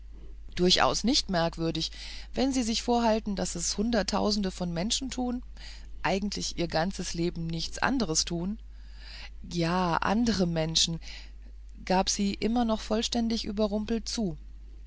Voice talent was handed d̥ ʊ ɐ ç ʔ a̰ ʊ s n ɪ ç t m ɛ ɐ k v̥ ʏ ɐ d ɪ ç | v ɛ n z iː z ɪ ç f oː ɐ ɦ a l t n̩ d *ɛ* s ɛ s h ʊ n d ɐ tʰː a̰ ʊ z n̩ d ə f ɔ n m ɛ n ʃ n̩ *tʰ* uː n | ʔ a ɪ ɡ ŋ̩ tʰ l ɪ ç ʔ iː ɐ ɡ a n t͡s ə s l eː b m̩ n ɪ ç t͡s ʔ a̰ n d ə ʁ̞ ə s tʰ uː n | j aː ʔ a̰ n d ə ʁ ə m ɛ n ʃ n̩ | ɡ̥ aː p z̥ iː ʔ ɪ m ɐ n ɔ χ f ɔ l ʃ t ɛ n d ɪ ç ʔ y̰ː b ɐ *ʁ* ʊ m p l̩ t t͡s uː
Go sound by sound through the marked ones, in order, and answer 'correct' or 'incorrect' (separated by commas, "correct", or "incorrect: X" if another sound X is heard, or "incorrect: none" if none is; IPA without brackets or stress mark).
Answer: incorrect: a, correct, correct